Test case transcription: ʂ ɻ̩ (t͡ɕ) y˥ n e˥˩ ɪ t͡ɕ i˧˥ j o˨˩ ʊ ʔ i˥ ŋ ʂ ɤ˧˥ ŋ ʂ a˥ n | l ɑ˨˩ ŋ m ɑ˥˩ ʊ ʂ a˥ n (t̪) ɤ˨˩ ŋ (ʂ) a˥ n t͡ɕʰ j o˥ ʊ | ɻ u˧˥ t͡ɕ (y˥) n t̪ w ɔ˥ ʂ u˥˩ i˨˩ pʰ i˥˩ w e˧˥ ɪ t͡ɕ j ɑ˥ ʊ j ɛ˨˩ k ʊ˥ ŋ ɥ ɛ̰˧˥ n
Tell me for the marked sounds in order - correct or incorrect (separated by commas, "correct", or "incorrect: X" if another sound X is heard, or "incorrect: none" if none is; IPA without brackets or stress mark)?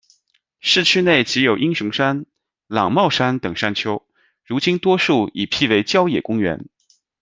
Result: incorrect: t͡ɕʰ, correct, correct, incorrect: i˥